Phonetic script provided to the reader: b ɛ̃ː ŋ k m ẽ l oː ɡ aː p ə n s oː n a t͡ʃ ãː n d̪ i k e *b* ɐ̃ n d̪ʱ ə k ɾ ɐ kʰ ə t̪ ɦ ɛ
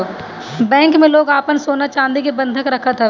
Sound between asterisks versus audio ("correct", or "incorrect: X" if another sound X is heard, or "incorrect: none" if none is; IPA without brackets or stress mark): correct